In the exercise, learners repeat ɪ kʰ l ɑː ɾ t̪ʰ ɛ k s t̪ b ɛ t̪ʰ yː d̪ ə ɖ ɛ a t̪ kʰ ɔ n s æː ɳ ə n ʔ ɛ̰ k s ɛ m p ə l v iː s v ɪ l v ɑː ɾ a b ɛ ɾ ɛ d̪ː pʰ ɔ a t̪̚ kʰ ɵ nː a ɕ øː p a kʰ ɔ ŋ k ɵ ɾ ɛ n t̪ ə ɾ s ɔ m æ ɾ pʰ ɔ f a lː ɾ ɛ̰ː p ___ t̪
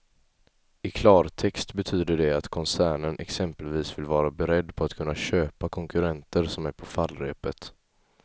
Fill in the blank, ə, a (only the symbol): ə